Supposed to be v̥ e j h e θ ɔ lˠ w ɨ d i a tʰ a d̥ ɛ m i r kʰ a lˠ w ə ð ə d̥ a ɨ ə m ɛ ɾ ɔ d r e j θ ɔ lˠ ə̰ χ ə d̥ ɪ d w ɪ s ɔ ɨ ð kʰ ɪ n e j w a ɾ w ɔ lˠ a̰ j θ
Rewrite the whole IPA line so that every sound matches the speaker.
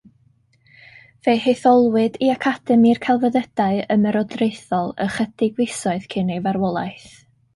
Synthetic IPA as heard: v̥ e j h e θ ɔ lˠ w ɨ d i a kʰ a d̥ ɛ m i r kʰ a lˠ v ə ð ə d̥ a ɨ ə m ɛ ɾ ɔ d r e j θ ɔ lˠ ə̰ χ ə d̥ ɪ ɡ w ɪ s ɔ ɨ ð kʰ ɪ n e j v a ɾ w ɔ lˠ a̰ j θ